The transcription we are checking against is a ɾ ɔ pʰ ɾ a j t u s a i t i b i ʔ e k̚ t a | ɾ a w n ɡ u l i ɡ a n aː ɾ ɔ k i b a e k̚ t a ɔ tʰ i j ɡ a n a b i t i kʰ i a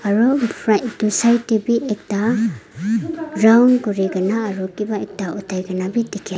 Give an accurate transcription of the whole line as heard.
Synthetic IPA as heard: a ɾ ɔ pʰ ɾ a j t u s a j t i b i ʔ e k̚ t a | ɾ a w n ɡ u ɾ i ɡ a n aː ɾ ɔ k i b a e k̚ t a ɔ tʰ a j ɡ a n a b i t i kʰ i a